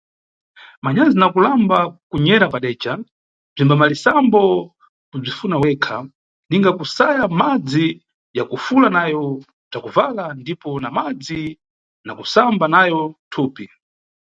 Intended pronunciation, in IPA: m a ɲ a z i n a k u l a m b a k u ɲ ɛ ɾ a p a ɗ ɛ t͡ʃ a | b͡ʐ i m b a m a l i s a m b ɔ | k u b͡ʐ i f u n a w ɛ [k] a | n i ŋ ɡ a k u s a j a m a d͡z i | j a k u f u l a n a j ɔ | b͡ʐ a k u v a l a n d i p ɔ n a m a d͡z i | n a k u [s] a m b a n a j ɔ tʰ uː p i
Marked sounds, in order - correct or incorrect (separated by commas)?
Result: incorrect, correct